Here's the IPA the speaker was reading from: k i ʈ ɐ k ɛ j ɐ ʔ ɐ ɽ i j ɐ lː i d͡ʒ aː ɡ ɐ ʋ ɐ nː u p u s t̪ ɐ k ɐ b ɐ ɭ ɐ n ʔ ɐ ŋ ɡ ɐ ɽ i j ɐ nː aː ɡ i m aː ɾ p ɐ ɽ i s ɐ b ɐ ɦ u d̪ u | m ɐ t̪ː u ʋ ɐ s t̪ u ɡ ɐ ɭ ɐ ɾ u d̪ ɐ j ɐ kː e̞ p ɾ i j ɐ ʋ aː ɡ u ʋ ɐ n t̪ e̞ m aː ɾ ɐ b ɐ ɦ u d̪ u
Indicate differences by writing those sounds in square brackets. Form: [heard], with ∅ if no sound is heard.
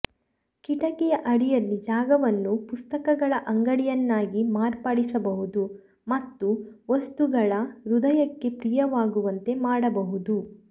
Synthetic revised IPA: k i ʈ ɐ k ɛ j ɐ ʔ ɐ ɽ i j ɐ lː i d͡ʒ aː ɡ ɐ ʋ ɐ nː u p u s t̪ ɐ k ɐ [ɡ] ɐ ɭ ɐ [∅] ʔ ɐ ŋ ɡ ɐ ɽ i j ɐ nː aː ɡ i m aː ɾ p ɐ ɽ i s ɐ b ɐ ɦ u d̪ u | m ɐ t̪ː u ʋ ɐ s t̪ u ɡ ɐ ɭ ɐ ɾ u d̪ ɐ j ɐ kː e̞ p ɾ i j ɐ ʋ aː ɡ u ʋ ɐ n t̪ e̞ m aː [ɽ] ɐ b ɐ ɦ u d̪ u